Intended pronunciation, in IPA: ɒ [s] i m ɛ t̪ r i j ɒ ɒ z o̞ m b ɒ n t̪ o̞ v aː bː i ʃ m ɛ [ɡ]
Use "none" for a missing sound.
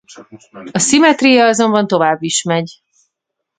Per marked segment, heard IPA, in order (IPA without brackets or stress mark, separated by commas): s, ɟ